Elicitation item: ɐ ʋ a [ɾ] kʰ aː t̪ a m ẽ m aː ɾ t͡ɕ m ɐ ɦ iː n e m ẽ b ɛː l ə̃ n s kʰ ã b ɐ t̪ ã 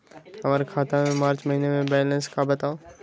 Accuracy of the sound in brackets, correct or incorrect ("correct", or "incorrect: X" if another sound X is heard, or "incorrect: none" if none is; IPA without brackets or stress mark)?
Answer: correct